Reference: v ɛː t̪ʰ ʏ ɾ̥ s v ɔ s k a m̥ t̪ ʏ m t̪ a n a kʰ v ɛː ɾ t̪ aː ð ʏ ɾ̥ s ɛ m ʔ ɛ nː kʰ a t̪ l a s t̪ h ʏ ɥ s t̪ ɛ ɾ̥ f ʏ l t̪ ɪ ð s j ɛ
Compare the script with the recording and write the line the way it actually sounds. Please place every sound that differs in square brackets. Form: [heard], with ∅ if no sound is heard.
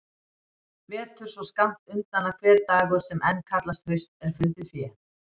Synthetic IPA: v ɛː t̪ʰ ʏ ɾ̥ s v ɔ s k a m̥ t̪ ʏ [n] t̪ a n a kʰ v ɛː ɾ t̪ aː [ɣ] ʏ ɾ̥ s ɛ m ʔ ɛ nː kʰ a t̪ l a s t̪ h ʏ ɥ s t̪ ɛ ɾ̥ f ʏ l t̪ ɪ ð [f] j ɛ